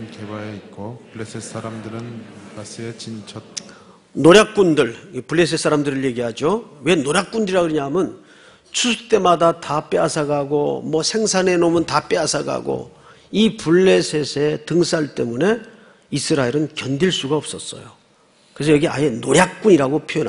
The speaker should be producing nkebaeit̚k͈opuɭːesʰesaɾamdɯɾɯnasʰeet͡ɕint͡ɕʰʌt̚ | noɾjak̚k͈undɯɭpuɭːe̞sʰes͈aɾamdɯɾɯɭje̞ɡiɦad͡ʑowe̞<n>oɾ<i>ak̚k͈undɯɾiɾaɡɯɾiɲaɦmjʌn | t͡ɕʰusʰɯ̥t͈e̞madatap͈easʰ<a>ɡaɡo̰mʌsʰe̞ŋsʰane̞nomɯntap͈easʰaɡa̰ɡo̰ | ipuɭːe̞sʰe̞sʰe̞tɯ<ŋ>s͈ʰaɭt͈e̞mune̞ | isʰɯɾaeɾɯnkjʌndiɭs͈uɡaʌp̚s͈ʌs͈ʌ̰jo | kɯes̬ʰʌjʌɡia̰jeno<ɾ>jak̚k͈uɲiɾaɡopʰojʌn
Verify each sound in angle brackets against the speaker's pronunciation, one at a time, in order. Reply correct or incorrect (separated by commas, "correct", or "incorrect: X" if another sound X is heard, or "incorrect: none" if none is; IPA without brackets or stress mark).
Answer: correct, incorrect: j, correct, correct, correct